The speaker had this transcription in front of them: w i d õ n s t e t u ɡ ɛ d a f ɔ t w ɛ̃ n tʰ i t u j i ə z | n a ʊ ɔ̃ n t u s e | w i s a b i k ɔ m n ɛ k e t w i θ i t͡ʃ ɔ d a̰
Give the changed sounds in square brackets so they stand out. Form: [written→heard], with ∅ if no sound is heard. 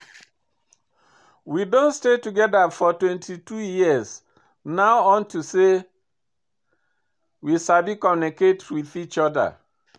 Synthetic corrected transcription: w i d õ n s t e t u ɡ ɛ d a f ɔ t w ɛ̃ n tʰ i t u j i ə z | n a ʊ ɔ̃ n t u s e | w i s a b i k ɔ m n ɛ k e t w i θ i t͡ʃ ɔ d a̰